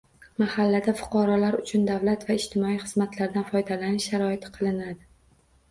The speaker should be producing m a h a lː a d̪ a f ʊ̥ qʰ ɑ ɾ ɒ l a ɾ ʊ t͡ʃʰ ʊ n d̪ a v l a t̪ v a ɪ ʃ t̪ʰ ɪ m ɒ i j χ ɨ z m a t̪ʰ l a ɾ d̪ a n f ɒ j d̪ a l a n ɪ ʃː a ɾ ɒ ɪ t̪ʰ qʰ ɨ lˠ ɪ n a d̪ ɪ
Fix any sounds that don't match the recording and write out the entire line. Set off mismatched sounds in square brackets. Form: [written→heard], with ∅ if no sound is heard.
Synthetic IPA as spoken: m a h a lː a d̪ a f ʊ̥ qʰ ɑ ɾ ɒ l a ɾ ʊ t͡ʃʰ ʊ n d̪ a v l a t̪ v a ɪ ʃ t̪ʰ ɪ m ɒ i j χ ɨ z m a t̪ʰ l a ɾ d̪ a n f ɒ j d̪ a l a n ɪ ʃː a ɾ ɒ ɪ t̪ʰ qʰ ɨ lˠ ɪ n a d̪ ɪ